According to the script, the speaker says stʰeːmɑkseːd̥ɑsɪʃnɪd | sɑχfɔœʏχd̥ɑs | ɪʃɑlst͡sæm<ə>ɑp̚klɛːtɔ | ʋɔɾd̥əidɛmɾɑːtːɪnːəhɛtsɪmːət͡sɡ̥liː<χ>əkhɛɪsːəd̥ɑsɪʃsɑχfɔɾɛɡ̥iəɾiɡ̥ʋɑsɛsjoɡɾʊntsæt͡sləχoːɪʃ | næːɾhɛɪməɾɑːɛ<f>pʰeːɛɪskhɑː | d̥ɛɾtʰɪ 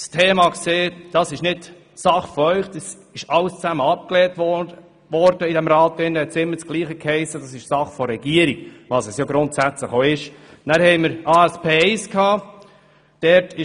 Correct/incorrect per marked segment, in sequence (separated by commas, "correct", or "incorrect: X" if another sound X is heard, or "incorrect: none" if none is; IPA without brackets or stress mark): correct, correct, incorrect: s